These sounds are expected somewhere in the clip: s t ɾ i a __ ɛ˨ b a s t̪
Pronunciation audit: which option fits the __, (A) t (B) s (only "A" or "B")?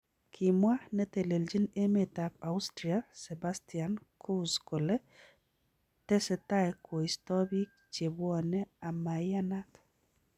B